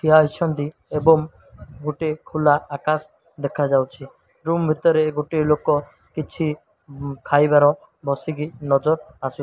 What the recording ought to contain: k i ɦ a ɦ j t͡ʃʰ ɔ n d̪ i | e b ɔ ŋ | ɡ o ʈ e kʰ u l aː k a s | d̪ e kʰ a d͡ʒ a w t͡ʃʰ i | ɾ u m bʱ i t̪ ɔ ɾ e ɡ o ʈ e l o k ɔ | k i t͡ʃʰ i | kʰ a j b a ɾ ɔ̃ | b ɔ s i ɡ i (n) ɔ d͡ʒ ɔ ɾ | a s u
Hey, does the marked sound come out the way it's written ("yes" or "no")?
yes